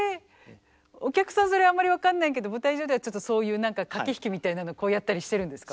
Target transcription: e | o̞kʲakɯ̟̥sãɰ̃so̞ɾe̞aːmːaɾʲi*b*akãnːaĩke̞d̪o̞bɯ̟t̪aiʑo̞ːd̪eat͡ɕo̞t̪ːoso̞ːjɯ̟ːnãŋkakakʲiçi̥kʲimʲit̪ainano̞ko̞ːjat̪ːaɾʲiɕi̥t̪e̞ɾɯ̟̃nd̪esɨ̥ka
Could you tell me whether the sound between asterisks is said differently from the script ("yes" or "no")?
yes